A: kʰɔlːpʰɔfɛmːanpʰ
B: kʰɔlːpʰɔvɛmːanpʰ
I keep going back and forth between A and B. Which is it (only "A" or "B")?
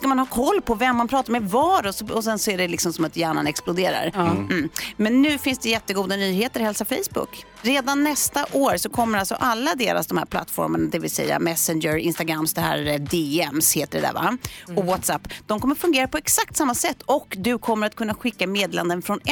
B